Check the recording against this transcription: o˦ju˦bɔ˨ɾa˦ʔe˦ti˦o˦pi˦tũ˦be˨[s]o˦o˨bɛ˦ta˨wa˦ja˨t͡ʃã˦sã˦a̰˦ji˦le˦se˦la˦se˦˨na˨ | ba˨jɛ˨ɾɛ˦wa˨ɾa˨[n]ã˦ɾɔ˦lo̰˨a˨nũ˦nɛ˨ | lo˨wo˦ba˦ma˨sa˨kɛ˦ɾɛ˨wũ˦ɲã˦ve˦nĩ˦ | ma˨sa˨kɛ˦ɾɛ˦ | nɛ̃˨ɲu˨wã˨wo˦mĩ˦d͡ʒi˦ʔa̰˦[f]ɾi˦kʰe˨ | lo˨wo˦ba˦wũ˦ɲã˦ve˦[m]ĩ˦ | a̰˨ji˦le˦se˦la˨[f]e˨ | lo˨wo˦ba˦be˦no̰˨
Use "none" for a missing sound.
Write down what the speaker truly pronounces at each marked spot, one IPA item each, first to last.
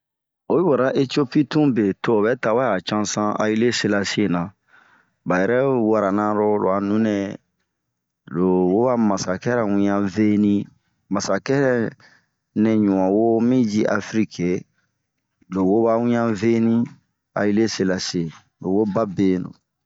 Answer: t, n, f, n, s

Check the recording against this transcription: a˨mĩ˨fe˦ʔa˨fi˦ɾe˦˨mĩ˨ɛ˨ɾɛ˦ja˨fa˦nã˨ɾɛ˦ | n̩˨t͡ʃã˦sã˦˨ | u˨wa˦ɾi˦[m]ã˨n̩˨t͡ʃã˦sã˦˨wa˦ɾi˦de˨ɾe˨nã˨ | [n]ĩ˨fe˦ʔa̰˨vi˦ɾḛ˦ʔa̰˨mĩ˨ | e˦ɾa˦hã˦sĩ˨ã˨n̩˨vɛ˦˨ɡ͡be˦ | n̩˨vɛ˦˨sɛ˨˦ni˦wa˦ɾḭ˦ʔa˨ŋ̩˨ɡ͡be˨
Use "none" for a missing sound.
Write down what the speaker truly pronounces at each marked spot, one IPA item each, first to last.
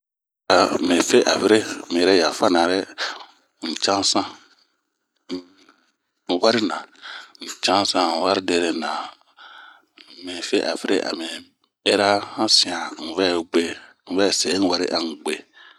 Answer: n, m

